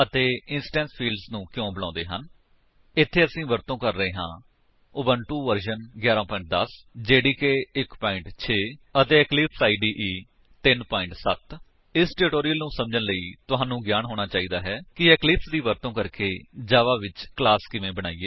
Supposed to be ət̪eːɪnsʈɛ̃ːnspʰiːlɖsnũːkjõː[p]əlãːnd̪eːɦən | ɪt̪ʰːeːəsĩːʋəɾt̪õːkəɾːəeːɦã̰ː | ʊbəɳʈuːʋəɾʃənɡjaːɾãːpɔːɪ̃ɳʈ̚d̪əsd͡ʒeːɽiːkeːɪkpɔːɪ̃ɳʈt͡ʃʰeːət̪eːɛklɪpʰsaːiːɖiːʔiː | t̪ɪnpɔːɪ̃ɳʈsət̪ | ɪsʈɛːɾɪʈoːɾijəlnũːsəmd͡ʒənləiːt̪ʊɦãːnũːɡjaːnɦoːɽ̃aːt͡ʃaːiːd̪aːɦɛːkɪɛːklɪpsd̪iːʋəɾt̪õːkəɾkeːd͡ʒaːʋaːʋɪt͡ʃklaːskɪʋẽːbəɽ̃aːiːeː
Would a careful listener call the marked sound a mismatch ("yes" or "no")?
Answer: yes